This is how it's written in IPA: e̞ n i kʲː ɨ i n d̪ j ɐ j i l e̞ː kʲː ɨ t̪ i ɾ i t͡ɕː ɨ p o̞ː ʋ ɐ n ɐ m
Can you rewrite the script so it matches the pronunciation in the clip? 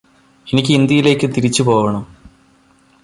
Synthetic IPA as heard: e̞ n i kʲː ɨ i n d̪ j ɐ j i l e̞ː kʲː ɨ t̪ i ɾ i t͡ɕː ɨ p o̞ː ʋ ɐ ɳ ɐ m